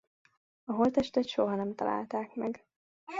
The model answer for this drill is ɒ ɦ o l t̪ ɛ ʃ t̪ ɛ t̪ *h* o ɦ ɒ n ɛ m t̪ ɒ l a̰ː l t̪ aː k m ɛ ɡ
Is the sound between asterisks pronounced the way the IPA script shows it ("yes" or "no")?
no